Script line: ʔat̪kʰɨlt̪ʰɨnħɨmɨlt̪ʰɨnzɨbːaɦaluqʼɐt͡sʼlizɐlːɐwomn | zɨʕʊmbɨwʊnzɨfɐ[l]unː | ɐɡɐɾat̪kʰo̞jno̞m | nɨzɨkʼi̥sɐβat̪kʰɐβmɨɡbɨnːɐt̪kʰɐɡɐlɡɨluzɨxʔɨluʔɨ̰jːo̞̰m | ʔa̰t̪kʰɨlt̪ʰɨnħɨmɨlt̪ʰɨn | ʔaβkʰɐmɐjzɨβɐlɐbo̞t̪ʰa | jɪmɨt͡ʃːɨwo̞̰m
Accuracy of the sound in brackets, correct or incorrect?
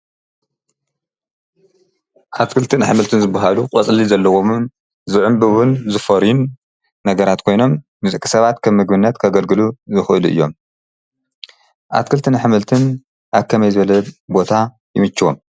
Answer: incorrect